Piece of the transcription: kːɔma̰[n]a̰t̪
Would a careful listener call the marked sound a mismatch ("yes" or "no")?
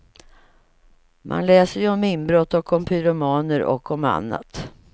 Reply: yes